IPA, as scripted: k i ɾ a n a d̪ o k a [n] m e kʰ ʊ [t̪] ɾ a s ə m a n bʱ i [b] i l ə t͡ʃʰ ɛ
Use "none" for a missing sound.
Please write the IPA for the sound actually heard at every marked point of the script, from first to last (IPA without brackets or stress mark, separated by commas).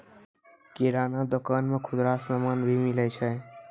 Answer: n, d̪, m